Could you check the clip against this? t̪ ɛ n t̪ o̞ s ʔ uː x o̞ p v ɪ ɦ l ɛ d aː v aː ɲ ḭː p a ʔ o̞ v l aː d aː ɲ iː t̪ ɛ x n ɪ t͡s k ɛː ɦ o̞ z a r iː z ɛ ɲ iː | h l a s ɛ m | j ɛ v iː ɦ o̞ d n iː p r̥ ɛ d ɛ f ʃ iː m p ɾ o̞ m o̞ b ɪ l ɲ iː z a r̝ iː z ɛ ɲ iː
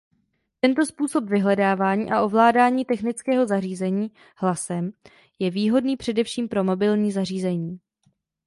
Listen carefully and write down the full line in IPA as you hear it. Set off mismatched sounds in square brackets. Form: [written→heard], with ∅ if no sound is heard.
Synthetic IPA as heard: t̪ ɛ n t̪ o̞ s [ʔ→p] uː [x→s] o̞ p v ɪ ɦ l ɛ d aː v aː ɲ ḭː [p→ʔ] a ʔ o̞ v l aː d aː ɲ iː t̪ ɛ x n ɪ t͡s k ɛː ɦ o̞ z a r iː z ɛ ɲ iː | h l a s ɛ m | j ɛ v iː ɦ o̞ d n iː p r̥ ɛ d ɛ f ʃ iː m p ɾ o̞ m o̞ b ɪ l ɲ iː z a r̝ iː z ɛ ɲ iː